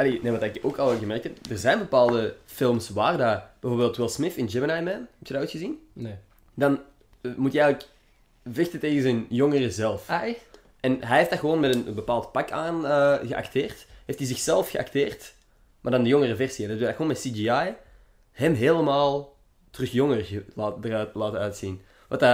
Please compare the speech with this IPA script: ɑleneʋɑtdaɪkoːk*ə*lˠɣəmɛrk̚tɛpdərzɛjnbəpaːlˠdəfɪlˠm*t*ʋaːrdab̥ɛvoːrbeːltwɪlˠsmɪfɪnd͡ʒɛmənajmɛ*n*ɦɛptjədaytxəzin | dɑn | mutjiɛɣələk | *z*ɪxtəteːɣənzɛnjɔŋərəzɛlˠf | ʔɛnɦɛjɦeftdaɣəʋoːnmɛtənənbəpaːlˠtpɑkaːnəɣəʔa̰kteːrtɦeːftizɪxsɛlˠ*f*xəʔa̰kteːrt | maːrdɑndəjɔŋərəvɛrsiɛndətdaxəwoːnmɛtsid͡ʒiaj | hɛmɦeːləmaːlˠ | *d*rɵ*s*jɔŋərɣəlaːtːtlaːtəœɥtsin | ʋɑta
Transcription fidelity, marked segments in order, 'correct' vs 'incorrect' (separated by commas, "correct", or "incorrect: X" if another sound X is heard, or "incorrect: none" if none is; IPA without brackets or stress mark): incorrect: ɑ, incorrect: s, correct, incorrect: v, correct, incorrect: t, incorrect: x